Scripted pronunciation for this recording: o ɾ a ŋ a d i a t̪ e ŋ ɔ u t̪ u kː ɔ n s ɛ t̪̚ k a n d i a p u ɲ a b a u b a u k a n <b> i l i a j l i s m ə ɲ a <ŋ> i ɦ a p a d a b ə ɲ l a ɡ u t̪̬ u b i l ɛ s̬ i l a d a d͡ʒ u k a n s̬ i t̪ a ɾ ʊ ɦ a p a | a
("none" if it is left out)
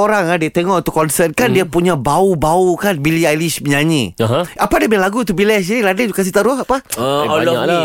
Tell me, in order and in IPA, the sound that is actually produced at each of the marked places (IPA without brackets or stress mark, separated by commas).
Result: b, ɲ